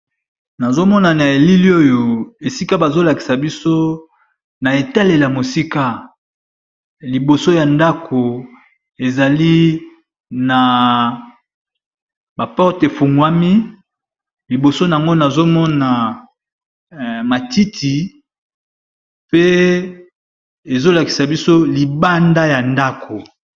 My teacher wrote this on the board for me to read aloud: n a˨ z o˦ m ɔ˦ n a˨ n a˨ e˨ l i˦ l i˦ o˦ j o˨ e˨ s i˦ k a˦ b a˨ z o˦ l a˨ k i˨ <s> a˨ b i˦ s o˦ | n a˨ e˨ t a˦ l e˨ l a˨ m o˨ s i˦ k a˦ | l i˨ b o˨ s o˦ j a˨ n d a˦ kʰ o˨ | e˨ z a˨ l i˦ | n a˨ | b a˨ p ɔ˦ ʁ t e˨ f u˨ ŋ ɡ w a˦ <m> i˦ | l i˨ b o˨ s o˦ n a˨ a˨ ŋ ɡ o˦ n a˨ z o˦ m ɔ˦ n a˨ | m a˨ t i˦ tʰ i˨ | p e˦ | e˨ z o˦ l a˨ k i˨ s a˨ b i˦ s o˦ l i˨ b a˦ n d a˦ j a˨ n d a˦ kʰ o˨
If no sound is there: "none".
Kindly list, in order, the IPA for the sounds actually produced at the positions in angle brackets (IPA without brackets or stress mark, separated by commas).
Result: s, m